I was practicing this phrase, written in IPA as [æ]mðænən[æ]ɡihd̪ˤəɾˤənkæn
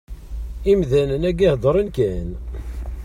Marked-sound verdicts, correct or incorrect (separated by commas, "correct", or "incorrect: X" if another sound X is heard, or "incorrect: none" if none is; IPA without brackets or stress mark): incorrect: i, correct